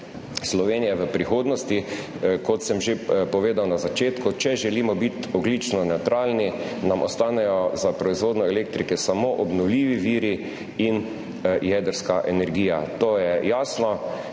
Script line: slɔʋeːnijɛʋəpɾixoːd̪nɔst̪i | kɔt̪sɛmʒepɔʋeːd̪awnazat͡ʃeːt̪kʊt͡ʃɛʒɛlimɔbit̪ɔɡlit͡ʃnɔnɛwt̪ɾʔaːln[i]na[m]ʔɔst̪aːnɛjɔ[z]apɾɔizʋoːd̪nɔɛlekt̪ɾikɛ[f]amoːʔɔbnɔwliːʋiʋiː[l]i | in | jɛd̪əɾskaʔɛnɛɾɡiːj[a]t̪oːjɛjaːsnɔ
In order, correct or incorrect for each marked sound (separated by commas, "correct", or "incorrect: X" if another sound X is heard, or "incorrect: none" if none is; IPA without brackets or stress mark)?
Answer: correct, correct, correct, incorrect: s, incorrect: ɾ, correct